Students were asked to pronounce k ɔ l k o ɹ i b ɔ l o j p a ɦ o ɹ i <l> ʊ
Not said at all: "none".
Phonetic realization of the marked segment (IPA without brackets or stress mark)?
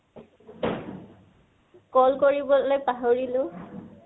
l